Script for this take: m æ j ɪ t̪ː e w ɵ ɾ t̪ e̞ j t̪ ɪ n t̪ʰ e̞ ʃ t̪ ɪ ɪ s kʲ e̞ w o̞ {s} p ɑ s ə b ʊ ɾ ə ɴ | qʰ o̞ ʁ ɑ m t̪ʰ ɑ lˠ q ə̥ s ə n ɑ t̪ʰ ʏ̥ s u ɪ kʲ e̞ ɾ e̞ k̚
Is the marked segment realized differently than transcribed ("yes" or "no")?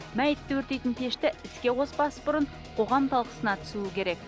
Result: no